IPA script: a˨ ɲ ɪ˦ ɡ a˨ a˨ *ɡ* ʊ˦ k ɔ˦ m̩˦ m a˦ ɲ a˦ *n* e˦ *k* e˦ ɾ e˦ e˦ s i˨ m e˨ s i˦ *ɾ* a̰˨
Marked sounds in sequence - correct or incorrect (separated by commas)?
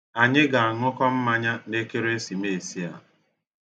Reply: incorrect, correct, correct, incorrect